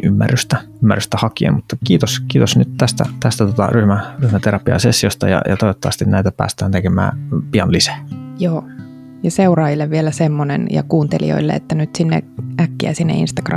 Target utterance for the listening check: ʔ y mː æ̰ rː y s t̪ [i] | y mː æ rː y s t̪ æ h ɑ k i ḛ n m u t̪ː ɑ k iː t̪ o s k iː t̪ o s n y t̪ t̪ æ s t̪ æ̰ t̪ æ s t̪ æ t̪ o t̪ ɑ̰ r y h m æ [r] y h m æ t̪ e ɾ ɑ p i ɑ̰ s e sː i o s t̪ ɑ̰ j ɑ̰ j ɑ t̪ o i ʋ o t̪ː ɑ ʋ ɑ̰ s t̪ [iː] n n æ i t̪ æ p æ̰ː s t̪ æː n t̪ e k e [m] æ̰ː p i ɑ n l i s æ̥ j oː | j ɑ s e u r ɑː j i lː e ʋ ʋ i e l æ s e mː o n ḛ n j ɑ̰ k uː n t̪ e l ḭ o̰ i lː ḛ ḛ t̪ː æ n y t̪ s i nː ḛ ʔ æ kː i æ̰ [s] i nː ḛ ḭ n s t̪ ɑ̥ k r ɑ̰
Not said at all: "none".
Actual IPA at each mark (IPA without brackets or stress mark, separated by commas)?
æ, r, i, m, s